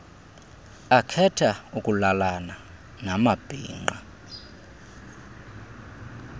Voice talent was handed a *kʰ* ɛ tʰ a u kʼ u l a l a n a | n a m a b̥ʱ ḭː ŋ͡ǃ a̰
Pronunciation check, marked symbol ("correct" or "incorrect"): correct